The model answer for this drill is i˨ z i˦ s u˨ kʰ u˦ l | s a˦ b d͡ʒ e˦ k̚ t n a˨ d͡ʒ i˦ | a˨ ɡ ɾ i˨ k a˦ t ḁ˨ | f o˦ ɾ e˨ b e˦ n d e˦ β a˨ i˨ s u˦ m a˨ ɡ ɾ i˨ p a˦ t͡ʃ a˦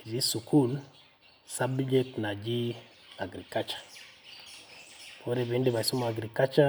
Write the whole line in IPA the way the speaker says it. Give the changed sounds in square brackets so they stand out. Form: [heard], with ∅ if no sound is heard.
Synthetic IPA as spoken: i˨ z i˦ s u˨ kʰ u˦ l | s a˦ b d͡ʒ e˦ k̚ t n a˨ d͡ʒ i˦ | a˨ ɡ ɾ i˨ k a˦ [t͡ʃ] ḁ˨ | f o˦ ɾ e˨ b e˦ n d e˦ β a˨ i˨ s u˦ m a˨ ɡ ɾ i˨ [k] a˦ t͡ʃ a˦